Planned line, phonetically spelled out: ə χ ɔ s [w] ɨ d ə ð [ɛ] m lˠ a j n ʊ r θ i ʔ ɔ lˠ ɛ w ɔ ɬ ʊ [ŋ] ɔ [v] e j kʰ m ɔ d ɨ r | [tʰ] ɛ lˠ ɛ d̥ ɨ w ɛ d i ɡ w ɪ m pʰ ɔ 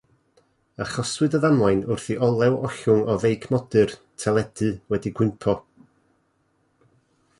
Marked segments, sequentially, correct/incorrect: correct, incorrect: a, correct, correct, correct

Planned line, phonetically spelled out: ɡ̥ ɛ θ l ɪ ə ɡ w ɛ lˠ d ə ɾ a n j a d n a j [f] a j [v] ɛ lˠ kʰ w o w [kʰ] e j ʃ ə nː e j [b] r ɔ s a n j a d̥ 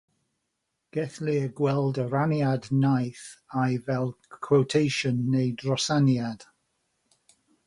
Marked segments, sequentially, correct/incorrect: incorrect: θ, correct, incorrect: tʰ, incorrect: d

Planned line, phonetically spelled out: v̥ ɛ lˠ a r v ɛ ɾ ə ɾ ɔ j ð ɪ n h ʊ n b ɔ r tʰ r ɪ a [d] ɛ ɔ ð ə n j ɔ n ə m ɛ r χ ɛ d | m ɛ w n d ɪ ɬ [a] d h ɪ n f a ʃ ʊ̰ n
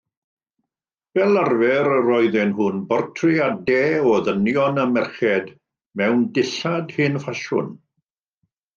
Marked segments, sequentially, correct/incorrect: correct, correct

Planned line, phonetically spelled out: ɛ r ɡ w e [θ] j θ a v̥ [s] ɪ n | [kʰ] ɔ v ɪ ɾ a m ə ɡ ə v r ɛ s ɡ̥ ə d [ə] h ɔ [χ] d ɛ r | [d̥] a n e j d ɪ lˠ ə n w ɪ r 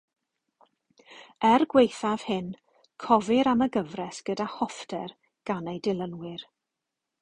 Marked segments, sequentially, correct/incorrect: incorrect: none, incorrect: h, correct, incorrect: a, incorrect: f, incorrect: ɡ̥

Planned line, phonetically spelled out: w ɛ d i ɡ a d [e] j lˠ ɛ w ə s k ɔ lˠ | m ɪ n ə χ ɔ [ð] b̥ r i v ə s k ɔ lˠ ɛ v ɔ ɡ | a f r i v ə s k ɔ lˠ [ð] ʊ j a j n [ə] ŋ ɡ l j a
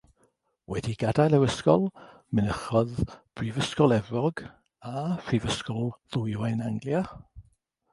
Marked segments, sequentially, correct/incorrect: incorrect: a, correct, correct, incorrect: a

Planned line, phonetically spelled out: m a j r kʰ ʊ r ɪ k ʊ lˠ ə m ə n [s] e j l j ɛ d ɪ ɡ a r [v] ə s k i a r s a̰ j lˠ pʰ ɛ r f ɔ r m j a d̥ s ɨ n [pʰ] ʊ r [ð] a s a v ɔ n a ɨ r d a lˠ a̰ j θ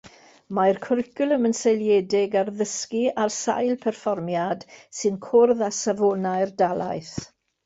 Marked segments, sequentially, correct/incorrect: correct, incorrect: ð, incorrect: kʰ, correct

